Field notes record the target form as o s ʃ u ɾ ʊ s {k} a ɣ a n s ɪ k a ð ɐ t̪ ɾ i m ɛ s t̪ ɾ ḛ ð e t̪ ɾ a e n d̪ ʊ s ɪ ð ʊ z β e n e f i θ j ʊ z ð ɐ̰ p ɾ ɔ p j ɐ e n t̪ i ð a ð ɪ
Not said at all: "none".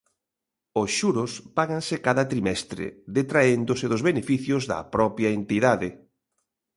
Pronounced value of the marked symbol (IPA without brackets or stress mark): p